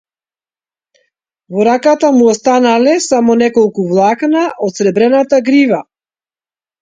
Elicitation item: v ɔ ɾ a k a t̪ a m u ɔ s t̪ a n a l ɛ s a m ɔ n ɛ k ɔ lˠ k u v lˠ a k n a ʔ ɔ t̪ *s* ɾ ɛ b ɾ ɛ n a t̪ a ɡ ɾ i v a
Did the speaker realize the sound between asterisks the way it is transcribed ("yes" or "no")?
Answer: yes